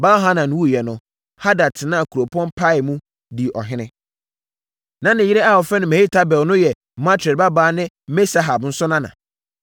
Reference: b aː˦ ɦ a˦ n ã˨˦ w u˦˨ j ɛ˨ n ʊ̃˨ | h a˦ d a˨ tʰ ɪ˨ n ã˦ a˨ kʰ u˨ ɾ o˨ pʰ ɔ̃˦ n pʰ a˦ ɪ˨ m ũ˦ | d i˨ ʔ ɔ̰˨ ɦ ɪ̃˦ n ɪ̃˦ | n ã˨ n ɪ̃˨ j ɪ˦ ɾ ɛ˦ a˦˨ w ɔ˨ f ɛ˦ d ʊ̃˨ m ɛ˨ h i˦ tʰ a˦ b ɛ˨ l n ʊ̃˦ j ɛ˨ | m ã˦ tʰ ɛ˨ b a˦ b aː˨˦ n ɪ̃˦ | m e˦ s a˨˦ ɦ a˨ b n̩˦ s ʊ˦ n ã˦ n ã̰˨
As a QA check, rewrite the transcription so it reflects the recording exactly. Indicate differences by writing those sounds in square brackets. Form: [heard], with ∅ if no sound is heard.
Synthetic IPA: b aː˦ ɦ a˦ n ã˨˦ w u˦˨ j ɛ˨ n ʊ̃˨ | h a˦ d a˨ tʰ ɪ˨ n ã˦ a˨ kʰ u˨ ɾ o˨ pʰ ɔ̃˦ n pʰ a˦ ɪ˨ m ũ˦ | d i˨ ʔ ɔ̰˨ ɦ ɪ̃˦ n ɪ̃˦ | n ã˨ n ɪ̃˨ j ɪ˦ ɾ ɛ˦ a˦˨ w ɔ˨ f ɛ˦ [n] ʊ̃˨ m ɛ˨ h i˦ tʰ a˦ b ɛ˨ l n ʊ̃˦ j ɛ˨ | m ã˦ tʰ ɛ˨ b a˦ b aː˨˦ n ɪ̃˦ | m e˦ s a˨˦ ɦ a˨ b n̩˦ s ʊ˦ n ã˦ n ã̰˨